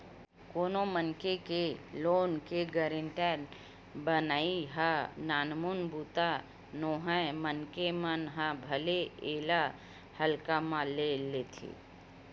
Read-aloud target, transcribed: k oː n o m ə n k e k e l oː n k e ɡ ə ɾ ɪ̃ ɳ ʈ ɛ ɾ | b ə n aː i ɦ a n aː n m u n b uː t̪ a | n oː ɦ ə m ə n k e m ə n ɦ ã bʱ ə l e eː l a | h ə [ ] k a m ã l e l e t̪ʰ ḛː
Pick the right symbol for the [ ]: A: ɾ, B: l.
B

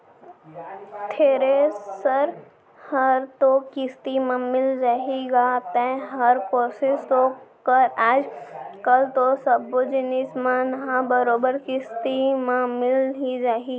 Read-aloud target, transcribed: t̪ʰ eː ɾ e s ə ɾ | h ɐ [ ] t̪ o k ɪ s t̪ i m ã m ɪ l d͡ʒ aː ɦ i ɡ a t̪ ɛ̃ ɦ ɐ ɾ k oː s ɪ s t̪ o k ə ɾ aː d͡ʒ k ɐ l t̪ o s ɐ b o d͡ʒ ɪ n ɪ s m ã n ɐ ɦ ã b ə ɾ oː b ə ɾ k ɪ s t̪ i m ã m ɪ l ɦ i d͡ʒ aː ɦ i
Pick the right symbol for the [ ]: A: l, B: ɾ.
B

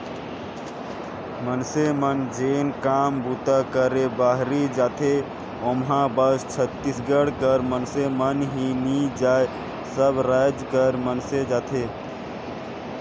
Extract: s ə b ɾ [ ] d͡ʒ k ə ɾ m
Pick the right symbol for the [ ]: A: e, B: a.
B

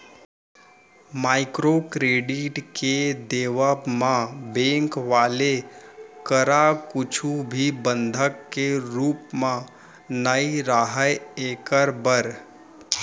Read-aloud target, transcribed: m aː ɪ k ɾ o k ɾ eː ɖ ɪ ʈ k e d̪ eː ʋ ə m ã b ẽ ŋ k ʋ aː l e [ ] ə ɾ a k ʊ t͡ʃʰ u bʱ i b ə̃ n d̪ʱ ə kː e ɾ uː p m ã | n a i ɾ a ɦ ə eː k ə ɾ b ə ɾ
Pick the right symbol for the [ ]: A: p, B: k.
B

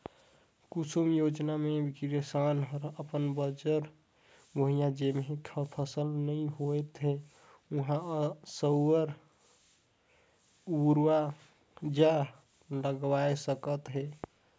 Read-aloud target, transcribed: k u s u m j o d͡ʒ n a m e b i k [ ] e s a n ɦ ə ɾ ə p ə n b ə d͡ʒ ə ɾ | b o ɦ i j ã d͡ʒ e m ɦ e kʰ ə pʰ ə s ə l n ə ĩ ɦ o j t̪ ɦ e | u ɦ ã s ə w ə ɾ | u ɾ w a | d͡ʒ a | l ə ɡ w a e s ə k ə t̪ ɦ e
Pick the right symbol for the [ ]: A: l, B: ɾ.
B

